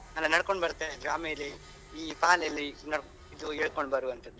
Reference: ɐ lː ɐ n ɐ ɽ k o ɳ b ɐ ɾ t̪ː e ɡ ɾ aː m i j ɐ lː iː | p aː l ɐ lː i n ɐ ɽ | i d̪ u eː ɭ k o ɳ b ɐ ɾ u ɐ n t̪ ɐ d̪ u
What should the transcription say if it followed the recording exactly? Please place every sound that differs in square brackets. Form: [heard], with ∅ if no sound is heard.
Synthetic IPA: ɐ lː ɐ n ɐ ɽ k o ɳ b ɐ ɾ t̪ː e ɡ ɾ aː m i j ɐ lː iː | p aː l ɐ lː i n ɐ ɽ | i d̪ u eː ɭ k o ɳ b ɐ ɾ u ɐ n t̪ ɐ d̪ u